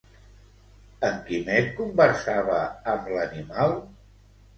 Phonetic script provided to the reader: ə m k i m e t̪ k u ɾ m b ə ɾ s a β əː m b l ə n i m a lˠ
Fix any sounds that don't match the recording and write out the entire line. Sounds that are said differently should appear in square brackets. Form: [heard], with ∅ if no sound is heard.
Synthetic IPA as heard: ə [ŋ] k i m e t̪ k u [∅] m b ə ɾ s a β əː m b l ə n i m a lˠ